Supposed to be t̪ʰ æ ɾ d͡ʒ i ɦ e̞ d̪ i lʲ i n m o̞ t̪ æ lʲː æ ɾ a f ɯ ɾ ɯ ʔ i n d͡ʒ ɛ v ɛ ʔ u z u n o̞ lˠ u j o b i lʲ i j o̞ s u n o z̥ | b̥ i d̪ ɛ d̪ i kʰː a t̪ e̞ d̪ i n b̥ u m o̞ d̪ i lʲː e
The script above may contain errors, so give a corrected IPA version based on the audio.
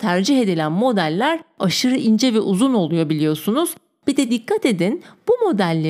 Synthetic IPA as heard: t̪ʰ æ ɾ d͡ʒ i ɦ e̞ d̪ i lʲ æ n m o̞ d̪ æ lʲː æ ɾ a ʃ ɯ ɾ ɯ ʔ i n d͡ʒ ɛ v ɛ ʔ u z u n o̞ lˠ u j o b i lʲ i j o̞ s u n u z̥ | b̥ i d̪ ɛ d̪ i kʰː a t̪ e̞ d̪ i n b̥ u m o̞ d̪ æ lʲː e